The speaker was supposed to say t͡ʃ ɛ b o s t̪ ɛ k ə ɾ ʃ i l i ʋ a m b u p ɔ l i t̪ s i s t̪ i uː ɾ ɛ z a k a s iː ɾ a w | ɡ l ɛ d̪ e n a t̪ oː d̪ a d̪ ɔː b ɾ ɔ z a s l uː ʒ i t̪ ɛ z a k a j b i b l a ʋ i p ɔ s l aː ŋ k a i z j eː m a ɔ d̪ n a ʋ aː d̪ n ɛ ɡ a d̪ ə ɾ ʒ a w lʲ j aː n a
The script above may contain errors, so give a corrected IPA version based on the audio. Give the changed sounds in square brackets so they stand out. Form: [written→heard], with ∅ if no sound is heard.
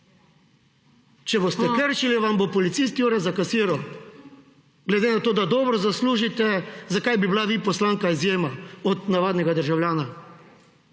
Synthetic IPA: t͡ʃ ɛ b o s t̪ ɛ k ə ɾ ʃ i l i ʋ a m b [u→o] p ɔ l i t̪ s i s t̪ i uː ɾ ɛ z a k a s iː ɾ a w | ɡ l ɛ d̪ e n a t̪ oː d̪ a d̪ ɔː b ɾ ɔ z a s l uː ʒ i t̪ ɛ z a k a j b i b l a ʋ i p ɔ s l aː ŋ k a i z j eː m a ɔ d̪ n a ʋ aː d̪ n ɛ ɡ a d̪ ə ɾ ʒ a w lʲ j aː n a